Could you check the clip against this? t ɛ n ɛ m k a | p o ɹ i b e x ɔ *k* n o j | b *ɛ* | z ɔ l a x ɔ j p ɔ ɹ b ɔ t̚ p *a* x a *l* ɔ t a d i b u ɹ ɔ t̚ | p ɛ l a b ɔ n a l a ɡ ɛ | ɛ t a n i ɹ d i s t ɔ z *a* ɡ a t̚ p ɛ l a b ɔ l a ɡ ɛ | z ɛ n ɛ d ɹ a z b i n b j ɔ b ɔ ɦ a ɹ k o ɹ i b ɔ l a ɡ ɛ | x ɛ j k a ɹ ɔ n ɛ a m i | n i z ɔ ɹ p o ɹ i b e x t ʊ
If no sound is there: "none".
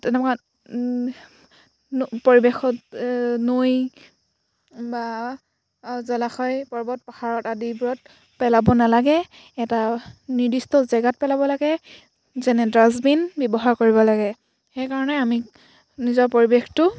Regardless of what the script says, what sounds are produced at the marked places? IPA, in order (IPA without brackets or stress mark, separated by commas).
t, a, a, ɹ, ɛ